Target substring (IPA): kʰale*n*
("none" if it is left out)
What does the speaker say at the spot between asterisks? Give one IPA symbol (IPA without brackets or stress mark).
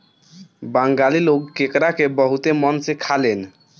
n